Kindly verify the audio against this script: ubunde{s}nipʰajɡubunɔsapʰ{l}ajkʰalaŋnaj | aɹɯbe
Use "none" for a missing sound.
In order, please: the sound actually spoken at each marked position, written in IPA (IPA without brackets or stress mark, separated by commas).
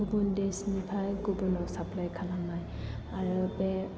s, l